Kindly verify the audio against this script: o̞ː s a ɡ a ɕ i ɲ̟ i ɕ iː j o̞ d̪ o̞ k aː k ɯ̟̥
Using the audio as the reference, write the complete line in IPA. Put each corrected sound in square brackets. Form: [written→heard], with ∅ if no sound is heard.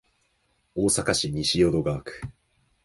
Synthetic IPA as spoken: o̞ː s a [ɡ→k] a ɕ i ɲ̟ i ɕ [iː→i] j o̞ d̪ o̞ [k→ɡ] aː k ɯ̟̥